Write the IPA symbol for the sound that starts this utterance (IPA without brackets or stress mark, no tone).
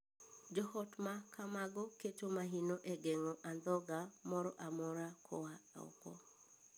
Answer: d͡ʒ